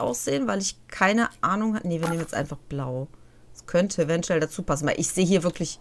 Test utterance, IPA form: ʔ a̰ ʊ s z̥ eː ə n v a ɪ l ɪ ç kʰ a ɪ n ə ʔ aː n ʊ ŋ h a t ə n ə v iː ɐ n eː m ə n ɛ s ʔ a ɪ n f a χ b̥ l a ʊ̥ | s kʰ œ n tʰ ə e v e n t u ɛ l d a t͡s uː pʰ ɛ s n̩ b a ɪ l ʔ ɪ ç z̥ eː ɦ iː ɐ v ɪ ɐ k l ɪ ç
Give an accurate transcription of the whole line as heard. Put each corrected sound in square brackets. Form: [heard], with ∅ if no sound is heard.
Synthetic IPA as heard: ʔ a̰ ʊ s z̥ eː ə n v a ɪ l ɪ ç kʰ a ɪ n ə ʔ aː n ʊ ŋ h a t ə n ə v iː ɐ n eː m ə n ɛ s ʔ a ɪ n f a χ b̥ l a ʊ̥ | s kʰ œ n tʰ ə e v [ɛ] n t u ɛ l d a t͡s uː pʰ [a] s n̩ [v] a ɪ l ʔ ɪ ç z̥ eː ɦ iː ɐ v ɪ ɐ k l ɪ ç